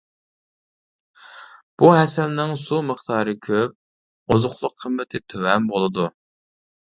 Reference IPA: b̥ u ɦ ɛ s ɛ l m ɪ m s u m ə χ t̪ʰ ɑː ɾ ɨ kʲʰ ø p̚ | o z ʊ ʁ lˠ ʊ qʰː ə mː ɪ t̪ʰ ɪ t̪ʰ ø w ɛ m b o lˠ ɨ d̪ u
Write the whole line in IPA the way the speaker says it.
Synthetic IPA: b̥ u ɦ ɛ s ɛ l n ɪ ŋ s u m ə χ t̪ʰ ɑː ɾ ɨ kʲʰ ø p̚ | o z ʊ χ lˠ ʊ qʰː ə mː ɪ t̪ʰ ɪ t̪ʰ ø w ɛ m b o lˠ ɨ d̪ u